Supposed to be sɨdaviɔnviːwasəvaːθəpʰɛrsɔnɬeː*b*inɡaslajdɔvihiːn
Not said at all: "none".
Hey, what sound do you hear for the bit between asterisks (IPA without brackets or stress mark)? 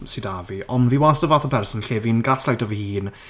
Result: v